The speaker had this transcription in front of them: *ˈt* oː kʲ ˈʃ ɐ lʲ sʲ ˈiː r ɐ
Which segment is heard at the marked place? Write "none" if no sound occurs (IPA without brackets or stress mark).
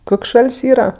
k